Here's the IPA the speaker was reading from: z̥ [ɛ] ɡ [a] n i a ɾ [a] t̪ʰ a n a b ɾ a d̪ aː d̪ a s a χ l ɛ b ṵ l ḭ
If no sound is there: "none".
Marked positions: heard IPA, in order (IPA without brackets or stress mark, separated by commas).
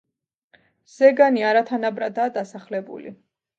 ɛ, a, a